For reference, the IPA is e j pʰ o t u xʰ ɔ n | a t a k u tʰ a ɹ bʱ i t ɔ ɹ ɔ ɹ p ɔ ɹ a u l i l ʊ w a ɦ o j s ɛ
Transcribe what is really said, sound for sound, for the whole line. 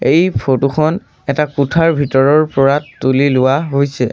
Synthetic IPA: e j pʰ o t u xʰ ɔ n | ɛ t a k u tʰ a ɹ bʱ i t ɔ ɹ ɔ ɹ p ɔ ɹ a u l i l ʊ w a ɦ o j s ɛ